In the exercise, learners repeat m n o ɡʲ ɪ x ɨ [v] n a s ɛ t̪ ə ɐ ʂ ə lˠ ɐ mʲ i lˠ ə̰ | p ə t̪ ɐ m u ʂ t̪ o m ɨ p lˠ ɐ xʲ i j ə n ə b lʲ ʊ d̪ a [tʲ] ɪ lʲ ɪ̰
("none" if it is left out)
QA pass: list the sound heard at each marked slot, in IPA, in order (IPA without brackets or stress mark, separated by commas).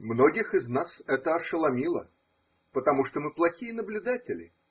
z, tʲ